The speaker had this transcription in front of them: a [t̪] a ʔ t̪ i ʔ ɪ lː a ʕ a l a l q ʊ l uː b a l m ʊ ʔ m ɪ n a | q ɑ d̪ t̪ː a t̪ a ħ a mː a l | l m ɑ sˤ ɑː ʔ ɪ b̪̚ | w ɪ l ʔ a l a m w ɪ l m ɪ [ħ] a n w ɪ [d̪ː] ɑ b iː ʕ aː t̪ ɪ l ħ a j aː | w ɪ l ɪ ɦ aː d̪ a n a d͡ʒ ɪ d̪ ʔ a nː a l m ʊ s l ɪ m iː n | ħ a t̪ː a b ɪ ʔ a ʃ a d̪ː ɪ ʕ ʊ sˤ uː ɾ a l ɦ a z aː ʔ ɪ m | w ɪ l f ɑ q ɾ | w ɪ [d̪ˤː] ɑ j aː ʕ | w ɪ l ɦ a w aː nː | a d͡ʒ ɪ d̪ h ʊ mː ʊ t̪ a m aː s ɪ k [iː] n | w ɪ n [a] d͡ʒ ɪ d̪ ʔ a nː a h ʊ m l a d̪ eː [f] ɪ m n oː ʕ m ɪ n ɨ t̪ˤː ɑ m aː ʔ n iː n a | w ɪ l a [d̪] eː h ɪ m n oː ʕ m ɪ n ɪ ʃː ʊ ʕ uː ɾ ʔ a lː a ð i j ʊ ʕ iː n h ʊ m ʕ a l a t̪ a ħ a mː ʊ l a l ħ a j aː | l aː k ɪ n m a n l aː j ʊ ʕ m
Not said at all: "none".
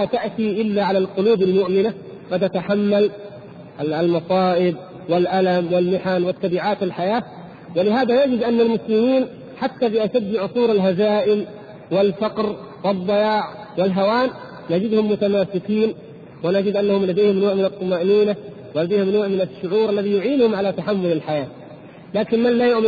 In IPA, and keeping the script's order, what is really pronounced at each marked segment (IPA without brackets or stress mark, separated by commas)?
t̪, ħ, t̪ː, d̪ˤː, iː, a, h, d̪